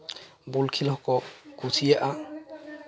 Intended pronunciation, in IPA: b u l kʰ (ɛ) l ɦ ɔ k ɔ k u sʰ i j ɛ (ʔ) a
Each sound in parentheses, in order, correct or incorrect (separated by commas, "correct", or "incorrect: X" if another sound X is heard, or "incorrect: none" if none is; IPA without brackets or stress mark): incorrect: i, correct